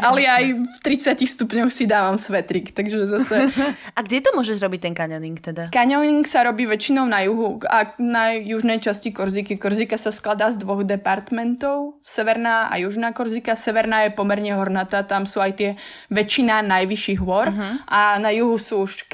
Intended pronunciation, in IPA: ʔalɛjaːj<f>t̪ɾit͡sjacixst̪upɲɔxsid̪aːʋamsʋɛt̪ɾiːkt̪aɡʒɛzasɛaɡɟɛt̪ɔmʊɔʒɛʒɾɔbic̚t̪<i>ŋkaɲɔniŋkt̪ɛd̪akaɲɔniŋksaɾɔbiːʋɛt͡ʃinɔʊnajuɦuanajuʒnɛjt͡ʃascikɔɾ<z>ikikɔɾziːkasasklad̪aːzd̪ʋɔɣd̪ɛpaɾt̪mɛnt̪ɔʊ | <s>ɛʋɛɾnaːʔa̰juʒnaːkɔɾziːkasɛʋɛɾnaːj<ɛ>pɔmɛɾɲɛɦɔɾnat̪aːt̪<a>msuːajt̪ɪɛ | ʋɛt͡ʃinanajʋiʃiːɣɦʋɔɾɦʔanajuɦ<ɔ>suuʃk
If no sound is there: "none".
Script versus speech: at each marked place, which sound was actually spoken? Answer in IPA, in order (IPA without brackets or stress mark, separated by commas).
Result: f, ɛ, z, s, ɛ, a, u